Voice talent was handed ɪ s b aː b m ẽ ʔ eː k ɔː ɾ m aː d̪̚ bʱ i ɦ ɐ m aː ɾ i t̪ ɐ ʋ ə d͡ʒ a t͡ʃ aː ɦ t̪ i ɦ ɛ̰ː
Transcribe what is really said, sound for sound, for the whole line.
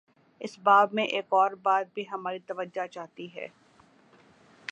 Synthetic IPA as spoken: ɪ s b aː b m ẽ ʔ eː k ɔː ɾ b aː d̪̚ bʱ i ɦ ɐ m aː ɾ i t̪ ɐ ʋ ə d͡ʒ a t͡ʃ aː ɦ t̪ i ɦ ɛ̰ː